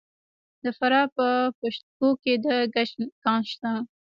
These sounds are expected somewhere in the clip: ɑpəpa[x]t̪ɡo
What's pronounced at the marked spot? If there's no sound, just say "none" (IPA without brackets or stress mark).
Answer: ʃ